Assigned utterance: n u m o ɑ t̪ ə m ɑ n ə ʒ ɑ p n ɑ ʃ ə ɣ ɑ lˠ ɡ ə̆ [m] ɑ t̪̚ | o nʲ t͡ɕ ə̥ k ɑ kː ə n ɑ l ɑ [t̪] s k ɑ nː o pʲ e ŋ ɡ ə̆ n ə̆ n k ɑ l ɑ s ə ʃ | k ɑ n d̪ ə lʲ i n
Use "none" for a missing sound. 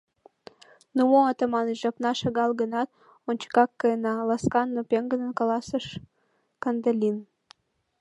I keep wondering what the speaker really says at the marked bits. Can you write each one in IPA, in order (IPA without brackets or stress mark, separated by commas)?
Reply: n, none